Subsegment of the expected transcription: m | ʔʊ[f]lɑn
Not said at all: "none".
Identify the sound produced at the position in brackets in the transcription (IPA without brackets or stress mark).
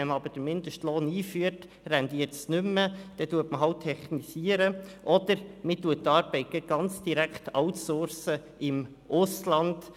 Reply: s